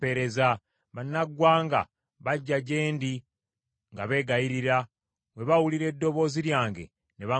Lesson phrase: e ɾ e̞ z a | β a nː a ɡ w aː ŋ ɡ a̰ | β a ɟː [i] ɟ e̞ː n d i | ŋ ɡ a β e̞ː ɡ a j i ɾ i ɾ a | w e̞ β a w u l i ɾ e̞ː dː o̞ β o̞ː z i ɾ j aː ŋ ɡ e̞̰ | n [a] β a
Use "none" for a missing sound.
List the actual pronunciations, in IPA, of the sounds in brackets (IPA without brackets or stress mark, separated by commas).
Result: a, e